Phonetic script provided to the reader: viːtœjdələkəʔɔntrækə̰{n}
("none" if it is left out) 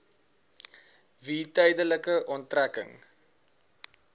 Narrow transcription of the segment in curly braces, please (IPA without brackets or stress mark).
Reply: ŋ